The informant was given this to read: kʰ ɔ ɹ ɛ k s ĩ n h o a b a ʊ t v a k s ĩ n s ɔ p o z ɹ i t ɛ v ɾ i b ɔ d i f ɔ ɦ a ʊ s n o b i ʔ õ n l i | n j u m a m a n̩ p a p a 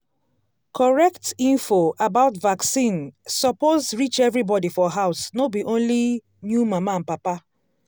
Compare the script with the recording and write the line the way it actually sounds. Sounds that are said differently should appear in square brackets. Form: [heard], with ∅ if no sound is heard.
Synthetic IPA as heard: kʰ ɔ ɹ ɛ k [t] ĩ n [f] o a b a ʊ t v a k s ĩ n s ɔ p o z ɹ i [t͡ʃ] ɛ v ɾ i b ɔ d i f ɔ ɦ a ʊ s n o b i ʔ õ n l i | n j u m a m a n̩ p a p a